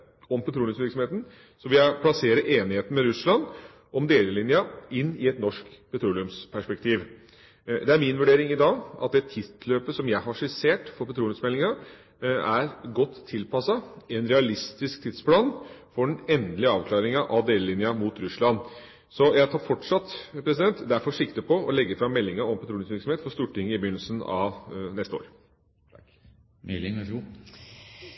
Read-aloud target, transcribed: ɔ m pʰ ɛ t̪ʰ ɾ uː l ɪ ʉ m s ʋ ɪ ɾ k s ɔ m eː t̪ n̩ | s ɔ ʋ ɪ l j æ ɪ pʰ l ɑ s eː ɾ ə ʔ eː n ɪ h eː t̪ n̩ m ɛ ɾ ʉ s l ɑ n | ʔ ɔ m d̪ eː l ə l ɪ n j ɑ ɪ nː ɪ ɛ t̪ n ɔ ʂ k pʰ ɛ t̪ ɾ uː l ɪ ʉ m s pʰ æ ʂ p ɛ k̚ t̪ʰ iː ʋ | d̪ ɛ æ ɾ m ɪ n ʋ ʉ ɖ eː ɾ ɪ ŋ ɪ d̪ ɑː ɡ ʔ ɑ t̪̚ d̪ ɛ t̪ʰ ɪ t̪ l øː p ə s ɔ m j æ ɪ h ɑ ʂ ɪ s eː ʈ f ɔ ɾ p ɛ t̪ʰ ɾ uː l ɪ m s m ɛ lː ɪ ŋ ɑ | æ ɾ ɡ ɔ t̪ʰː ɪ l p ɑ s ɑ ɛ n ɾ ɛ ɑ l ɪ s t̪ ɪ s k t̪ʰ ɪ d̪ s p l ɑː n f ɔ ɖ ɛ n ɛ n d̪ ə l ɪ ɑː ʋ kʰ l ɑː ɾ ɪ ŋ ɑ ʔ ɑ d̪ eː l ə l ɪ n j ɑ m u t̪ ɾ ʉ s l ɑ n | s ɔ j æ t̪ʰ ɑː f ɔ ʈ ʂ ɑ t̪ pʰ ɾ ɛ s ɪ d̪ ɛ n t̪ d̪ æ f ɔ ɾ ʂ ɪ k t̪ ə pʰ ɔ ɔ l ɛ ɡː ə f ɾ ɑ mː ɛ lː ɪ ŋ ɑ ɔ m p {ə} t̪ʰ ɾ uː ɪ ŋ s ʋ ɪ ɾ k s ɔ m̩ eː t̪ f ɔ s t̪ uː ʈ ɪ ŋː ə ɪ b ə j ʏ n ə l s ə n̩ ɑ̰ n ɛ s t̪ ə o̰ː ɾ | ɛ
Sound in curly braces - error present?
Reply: yes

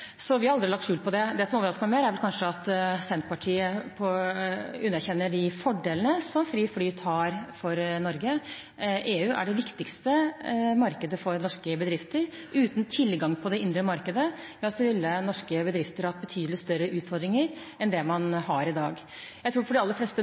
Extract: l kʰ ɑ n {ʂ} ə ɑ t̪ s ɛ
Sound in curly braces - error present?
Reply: no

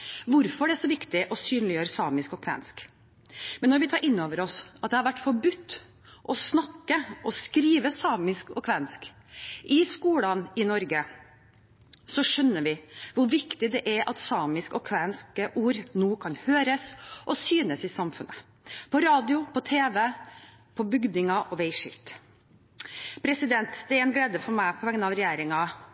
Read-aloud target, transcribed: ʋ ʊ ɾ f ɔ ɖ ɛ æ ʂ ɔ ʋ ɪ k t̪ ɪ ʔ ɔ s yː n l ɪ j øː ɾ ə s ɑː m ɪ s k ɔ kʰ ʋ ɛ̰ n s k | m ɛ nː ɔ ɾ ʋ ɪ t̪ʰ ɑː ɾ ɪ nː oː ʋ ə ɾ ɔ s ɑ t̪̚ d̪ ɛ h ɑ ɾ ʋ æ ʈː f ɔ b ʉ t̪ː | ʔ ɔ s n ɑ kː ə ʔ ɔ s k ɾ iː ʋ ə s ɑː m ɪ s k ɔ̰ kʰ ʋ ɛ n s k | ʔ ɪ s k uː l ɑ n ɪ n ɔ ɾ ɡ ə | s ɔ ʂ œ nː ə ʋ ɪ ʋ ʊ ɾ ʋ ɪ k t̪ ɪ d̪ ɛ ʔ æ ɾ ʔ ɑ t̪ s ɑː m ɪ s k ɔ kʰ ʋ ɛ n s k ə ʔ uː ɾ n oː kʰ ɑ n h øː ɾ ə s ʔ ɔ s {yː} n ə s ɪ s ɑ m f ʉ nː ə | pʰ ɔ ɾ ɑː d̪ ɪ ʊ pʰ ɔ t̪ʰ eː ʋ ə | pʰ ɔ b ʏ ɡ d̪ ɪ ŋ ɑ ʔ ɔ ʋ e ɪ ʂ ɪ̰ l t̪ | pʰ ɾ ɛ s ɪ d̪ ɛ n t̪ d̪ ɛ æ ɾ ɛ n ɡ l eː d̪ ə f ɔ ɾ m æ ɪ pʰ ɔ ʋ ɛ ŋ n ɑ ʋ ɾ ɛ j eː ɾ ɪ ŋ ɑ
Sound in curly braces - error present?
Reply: no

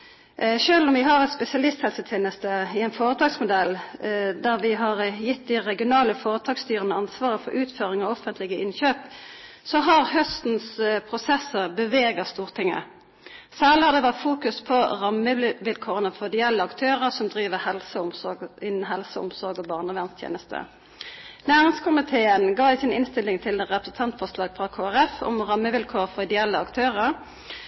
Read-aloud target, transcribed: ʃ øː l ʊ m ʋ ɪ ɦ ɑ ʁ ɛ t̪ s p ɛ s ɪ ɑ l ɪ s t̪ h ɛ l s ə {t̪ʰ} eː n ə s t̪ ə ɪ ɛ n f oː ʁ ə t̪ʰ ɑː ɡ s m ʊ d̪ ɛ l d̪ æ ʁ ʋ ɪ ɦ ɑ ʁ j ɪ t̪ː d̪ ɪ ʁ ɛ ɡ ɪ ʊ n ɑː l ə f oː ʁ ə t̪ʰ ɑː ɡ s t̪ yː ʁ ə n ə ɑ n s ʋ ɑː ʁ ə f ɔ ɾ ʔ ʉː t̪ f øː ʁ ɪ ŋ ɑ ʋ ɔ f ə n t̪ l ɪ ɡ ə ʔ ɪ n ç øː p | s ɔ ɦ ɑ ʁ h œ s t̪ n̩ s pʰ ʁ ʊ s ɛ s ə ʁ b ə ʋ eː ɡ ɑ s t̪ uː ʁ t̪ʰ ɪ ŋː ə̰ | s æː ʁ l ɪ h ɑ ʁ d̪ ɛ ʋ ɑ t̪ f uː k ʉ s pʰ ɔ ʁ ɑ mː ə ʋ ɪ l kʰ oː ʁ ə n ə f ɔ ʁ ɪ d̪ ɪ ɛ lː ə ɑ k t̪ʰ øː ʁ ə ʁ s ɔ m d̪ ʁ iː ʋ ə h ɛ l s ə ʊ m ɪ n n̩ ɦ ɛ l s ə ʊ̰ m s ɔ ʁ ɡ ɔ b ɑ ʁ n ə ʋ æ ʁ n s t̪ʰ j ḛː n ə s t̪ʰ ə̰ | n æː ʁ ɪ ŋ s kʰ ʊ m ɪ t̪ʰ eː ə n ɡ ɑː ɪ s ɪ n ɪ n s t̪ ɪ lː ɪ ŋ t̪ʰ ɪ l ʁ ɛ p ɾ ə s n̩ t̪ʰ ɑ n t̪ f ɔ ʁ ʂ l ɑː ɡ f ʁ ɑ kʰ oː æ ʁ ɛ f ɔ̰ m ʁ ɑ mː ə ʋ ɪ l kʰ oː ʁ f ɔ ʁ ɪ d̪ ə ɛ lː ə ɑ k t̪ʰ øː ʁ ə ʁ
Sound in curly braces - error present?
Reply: no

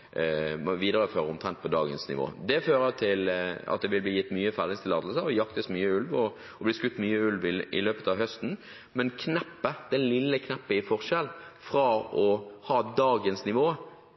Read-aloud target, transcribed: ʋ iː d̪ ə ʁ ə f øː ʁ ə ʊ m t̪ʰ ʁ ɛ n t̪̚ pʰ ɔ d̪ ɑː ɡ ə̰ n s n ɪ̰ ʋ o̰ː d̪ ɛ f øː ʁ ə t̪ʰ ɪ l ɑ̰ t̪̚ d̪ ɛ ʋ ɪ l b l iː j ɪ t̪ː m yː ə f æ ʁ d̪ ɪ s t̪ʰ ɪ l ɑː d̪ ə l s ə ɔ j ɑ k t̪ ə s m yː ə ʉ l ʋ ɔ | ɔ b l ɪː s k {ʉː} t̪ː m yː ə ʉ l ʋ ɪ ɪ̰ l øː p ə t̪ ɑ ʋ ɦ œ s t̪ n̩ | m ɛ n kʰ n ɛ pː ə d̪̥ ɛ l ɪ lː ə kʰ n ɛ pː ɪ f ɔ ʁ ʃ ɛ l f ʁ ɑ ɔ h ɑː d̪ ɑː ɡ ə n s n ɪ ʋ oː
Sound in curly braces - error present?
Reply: yes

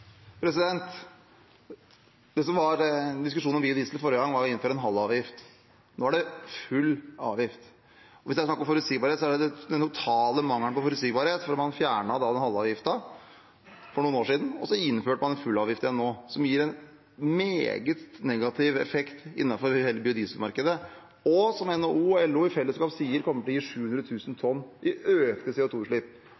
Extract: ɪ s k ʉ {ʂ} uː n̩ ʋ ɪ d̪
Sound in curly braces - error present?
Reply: no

